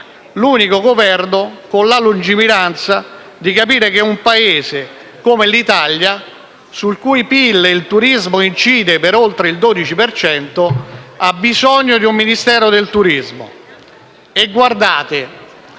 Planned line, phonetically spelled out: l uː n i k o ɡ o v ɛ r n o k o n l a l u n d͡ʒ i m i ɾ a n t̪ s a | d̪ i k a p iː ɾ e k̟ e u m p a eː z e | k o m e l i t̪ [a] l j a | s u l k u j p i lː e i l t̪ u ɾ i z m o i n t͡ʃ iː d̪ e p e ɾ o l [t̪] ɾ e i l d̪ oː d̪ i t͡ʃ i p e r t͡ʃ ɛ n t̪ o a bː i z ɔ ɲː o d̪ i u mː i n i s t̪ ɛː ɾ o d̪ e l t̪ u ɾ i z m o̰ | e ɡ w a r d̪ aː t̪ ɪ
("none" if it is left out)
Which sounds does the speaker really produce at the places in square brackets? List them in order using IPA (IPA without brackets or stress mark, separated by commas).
a, t̪